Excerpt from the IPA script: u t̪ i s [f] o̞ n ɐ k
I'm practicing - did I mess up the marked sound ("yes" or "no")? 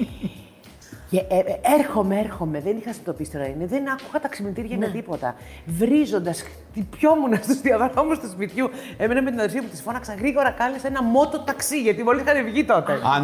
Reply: no